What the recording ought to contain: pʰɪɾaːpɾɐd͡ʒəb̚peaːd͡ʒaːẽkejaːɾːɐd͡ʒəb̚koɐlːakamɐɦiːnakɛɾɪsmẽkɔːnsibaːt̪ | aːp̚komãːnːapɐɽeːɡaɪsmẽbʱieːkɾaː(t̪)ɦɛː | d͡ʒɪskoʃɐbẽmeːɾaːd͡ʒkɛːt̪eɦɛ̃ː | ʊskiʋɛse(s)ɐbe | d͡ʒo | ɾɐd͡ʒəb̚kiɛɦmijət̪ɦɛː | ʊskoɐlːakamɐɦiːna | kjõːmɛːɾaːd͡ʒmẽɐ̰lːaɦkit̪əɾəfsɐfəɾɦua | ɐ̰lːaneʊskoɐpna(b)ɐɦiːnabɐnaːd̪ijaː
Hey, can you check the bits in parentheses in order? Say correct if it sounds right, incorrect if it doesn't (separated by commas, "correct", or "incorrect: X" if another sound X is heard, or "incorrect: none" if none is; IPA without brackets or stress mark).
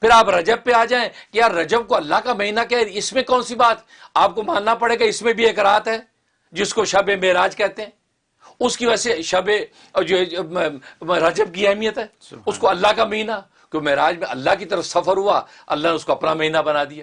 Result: correct, incorrect: ʃ, incorrect: m